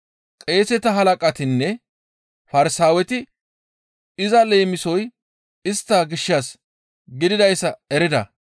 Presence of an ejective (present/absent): present